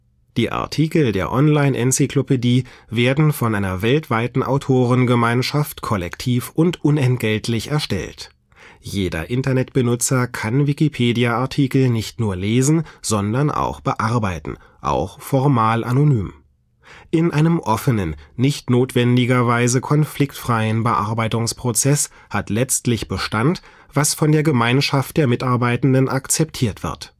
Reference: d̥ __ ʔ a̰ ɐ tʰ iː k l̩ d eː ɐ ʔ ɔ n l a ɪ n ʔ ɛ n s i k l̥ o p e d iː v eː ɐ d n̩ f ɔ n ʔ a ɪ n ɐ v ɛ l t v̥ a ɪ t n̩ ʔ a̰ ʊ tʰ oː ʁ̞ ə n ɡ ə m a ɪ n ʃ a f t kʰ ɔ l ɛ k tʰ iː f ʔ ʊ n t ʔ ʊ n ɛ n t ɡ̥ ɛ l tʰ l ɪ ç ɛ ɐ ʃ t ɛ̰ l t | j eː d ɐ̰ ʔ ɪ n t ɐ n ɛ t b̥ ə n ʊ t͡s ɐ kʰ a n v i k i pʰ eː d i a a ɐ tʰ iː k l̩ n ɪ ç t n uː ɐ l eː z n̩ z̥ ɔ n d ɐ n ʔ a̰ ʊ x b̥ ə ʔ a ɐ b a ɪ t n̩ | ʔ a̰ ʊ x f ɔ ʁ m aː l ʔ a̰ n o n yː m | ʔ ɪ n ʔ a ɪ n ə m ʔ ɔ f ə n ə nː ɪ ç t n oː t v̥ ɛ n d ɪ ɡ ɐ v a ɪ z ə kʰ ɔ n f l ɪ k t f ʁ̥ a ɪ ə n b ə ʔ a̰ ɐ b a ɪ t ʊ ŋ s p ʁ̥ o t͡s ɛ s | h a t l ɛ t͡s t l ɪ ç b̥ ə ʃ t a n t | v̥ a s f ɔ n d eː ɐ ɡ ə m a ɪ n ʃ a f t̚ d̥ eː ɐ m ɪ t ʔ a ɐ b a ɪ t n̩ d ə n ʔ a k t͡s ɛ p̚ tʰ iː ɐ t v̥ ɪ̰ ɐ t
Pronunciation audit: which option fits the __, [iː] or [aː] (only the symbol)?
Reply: iː